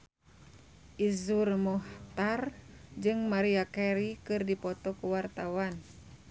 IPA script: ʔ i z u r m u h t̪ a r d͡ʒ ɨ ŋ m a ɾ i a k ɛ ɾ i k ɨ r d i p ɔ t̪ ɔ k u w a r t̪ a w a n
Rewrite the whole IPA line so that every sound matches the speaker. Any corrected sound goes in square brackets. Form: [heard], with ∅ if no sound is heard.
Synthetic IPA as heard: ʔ i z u r m [ɔ] h t̪ a r d͡ʒ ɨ ŋ m a ɾ i a k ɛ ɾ i k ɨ r d i p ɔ t̪ ɔ k u w a r t̪ a w a n